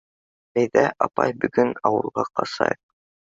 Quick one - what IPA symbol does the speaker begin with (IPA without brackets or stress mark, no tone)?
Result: æ